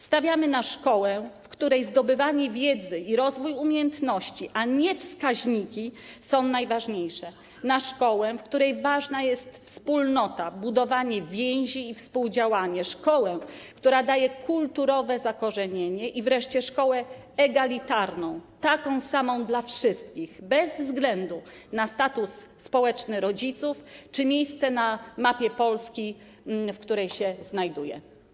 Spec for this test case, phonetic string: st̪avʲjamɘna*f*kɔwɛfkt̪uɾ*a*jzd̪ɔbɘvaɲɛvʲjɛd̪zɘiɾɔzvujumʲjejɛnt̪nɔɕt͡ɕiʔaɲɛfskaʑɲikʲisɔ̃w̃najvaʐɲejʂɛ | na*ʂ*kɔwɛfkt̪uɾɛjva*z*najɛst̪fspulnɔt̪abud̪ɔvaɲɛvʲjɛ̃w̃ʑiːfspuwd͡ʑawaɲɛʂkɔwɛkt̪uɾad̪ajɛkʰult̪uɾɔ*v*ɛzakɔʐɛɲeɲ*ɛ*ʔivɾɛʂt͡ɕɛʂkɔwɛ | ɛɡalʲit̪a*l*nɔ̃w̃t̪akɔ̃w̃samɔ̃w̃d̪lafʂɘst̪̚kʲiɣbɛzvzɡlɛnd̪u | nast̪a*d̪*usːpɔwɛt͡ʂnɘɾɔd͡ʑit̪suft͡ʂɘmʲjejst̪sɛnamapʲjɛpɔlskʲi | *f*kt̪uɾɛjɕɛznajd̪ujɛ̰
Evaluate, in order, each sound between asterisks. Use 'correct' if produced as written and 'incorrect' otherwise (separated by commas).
incorrect, incorrect, correct, incorrect, correct, correct, incorrect, incorrect, correct